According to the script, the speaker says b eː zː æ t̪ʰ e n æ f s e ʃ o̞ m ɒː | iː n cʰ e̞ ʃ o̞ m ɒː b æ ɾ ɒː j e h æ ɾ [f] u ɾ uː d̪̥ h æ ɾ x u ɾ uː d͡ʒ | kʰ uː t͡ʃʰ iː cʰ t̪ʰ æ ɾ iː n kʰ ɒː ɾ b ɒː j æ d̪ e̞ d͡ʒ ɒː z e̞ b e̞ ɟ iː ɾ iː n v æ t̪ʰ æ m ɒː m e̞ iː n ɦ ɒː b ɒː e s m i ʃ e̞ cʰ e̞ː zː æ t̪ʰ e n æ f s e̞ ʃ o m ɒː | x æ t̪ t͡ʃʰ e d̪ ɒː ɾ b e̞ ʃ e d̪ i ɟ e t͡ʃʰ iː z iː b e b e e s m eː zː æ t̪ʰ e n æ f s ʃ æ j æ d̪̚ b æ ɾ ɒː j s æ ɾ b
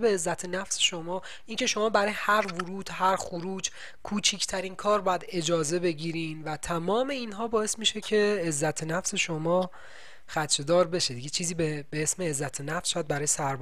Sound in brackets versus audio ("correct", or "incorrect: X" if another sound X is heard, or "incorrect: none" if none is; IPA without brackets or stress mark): incorrect: v